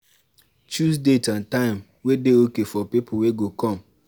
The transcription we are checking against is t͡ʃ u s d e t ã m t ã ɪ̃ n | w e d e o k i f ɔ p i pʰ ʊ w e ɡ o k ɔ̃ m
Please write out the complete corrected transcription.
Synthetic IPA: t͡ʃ u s d e t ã n t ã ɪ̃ m | w e d e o k e f ɔ p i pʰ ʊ w e ɡ o k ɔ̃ m